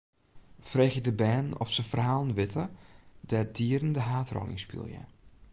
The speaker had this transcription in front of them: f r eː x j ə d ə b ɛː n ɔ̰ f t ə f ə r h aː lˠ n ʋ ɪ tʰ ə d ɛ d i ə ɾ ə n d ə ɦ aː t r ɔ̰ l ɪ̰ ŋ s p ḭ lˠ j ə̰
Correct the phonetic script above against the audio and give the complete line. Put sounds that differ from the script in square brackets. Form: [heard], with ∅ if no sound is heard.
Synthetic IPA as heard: f r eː x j ə d ə b ɛː n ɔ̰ f [s] ə f ə r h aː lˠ n ʋ ɪ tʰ ə d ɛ d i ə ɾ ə n d ə ɦ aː t r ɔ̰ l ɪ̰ ŋ s p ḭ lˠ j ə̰